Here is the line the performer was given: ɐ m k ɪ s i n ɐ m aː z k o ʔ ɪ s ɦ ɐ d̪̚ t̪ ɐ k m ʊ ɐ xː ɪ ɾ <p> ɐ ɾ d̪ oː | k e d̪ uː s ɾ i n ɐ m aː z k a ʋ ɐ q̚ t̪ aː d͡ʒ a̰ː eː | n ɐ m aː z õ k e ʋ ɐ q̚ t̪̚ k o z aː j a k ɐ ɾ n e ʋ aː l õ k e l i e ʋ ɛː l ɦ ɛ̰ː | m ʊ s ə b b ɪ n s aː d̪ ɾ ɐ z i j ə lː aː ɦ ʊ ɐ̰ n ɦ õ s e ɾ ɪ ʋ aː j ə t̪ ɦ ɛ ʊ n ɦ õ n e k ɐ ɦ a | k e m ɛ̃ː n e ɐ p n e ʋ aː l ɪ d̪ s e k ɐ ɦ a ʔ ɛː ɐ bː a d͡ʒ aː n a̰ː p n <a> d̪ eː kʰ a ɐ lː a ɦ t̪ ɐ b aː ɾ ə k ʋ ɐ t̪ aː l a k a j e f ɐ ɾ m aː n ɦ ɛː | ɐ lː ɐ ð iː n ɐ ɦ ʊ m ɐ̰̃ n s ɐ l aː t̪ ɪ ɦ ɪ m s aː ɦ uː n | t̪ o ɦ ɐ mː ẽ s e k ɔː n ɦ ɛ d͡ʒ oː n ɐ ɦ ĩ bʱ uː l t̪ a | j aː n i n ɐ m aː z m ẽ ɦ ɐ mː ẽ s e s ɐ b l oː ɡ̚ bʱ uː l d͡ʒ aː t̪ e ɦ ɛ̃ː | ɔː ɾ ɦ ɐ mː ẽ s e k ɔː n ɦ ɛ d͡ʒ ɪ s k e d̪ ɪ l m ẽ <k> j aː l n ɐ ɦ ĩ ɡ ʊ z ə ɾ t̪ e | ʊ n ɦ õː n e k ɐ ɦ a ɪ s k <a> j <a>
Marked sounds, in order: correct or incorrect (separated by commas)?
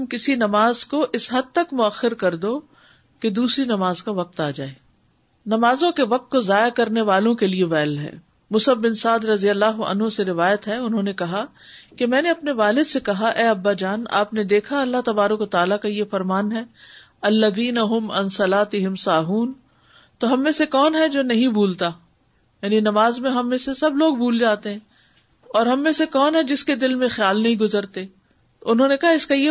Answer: incorrect, incorrect, incorrect, correct, incorrect